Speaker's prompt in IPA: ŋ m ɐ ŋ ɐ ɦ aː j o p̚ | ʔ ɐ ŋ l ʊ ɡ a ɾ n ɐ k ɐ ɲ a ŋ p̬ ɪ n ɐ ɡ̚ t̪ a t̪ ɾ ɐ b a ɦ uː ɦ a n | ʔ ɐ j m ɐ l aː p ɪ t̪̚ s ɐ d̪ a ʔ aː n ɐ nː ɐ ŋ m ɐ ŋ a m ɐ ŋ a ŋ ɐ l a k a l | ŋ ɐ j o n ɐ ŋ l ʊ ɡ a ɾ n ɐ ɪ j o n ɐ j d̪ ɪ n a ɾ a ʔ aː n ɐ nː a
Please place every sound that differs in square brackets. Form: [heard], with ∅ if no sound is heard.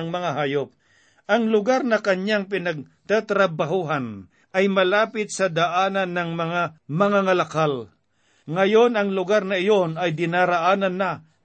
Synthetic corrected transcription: ŋ m ɐ ŋ [a] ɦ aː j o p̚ | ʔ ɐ ŋ l ʊ ɡ a ɾ n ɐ k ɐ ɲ a ŋ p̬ ɪ n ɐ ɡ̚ t̪ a t̪ ɾ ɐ b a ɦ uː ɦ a n | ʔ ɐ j m ɐ l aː p ɪ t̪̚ s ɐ d̪ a ʔ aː n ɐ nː ɐ ŋ m ɐ ŋ a m ɐ ŋ a ŋ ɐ l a k a l | ŋ ɐ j o n ɐ ŋ l ʊ ɡ a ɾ n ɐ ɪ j o n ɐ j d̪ ɪ n a ɾ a ʔ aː n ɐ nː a